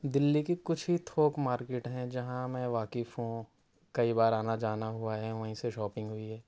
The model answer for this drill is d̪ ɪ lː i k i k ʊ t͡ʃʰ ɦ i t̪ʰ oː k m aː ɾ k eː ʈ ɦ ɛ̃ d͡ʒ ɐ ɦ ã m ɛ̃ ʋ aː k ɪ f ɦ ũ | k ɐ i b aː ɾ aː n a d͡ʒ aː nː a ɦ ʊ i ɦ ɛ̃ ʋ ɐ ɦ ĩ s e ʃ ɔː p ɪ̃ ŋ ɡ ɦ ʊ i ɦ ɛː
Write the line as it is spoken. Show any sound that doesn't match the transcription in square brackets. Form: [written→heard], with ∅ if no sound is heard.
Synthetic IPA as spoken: d̪ ɪ lː i k i k ʊ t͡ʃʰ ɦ i t̪ʰ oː k m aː ɾ k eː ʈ ɦ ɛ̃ d͡ʒ ɐ ɦ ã m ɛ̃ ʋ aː k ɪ f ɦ ũ | k ɐ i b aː ɾ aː n a d͡ʒ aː [nː→n] a ɦ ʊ [i→a] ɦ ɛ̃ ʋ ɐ ɦ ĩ s e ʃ ɔː p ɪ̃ ŋ ɡ ɦ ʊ i ɦ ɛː